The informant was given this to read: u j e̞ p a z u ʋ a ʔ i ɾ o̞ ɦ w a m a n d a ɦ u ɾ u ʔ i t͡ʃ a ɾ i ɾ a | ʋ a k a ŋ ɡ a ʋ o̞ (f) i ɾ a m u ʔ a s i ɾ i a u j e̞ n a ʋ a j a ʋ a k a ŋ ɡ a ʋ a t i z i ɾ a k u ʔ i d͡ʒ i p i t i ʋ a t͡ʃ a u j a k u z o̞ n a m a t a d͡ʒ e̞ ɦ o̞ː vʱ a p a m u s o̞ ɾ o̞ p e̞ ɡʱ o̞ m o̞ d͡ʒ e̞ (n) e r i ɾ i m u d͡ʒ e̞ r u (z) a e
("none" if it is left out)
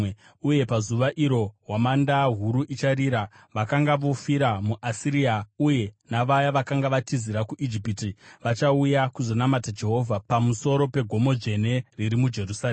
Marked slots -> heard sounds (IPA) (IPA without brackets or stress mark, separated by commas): f, n, s